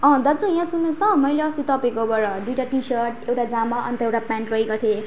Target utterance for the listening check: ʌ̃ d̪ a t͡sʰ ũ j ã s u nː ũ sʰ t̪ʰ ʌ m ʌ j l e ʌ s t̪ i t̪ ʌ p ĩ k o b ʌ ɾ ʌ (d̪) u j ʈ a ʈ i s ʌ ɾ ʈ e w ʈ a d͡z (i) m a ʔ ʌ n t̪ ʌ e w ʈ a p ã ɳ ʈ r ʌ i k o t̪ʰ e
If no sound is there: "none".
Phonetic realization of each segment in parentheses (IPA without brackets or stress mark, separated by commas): d̪, a